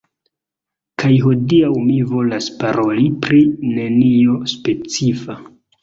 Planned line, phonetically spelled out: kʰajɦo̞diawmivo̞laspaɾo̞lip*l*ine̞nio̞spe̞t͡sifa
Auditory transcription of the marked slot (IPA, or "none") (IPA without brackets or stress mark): ɾ